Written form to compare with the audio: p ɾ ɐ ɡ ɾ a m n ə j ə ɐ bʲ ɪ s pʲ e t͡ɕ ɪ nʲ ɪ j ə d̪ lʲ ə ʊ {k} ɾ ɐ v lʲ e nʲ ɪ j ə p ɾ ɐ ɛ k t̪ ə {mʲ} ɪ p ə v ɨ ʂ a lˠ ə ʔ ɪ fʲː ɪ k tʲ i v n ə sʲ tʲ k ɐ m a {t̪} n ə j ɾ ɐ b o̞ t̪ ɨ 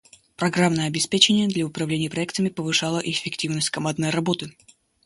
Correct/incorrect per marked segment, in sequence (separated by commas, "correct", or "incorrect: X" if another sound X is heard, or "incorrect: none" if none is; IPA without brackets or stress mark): incorrect: p, correct, incorrect: d̪